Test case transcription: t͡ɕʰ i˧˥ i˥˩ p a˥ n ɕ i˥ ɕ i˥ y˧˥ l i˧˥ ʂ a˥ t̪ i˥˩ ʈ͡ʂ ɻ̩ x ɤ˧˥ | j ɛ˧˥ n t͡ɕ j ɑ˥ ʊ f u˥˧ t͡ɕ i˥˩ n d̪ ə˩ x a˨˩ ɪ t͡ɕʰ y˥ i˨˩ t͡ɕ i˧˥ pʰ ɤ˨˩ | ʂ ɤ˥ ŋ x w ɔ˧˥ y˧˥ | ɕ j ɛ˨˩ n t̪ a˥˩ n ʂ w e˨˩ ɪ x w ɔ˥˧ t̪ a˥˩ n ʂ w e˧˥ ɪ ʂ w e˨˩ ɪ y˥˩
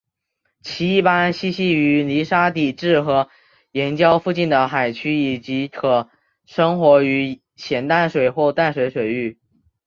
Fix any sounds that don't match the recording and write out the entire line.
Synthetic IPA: t͡ɕʰ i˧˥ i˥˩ p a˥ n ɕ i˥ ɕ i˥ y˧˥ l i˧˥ ʂ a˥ t̪ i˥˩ ʈ͡ʂ ɻ̩ x ɤ˧˥ | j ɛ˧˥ n t͡ɕ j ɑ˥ ʊ f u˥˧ t͡ɕ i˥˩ n d̪ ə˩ x a˨˩ ɪ t͡ɕʰ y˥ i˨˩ t͡ɕ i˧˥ kʰ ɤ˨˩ | ʂ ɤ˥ ŋ x w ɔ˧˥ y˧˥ | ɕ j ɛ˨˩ n t̪ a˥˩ n ʂ w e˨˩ ɪ x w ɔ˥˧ t̪ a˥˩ n ʂ w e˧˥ ɪ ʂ w e˨˩ ɪ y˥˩